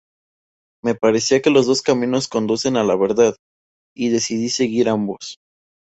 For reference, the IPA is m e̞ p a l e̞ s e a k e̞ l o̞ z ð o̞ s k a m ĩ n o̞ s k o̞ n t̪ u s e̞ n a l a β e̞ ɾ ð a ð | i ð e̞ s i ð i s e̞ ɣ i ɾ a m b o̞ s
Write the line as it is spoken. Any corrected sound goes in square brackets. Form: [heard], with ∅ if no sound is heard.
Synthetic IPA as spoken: m e̞ p a [ɾ] e̞ s [i] a k e̞ l o̞ z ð o̞ s k a m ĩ n o̞ s k o̞ n [d̪] u s e̞ n a l a β e̞ ɾ ð a ð | i ð e̞ s i ð i s e̞ ɣ i ɾ a m b o̞ s